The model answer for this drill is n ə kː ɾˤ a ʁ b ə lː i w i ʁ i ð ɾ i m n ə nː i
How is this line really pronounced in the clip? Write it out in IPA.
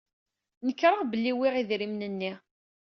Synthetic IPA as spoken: n ə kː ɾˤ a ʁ b ə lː i w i ʁ i ð ɾ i m n ə nː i

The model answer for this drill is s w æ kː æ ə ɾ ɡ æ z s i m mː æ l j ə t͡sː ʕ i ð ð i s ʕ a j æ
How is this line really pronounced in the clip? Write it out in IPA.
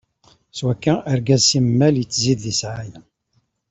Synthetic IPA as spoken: s w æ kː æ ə ɾ ɡ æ z s i m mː æ l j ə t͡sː z i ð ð i s ʕ a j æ

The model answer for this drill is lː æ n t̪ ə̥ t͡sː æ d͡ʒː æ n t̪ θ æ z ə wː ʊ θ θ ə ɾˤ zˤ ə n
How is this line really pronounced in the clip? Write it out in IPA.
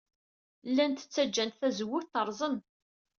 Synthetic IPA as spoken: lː æ n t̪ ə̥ t͡sː æ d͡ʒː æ n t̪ θ æ z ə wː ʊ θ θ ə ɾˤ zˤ ə n

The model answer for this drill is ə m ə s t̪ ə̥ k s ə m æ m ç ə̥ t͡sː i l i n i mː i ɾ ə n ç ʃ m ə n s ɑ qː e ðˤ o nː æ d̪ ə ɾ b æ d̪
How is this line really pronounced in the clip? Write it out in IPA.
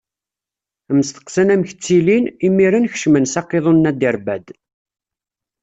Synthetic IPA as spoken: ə m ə s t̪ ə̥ q s ə n æ m ç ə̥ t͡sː i l i n i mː i ɾ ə n ç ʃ m ə n s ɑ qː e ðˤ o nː æ d̪ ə ɾ b æ d̪

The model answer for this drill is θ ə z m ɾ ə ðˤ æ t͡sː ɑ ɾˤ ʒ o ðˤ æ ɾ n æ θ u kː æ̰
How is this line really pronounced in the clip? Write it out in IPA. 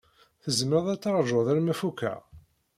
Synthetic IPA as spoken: θ ə z m ɾ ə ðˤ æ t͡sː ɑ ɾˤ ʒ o ðˤ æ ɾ m æ f u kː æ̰

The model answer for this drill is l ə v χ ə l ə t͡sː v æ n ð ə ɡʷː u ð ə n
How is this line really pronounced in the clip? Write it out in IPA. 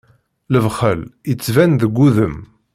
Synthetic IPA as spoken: l ə v χ ə l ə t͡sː v æ n ð ə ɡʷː u ð ə m

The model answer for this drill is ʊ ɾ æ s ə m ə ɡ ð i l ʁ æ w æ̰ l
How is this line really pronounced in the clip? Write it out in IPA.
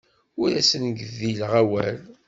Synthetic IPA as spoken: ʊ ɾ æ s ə n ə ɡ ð i l ʁ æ w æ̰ l

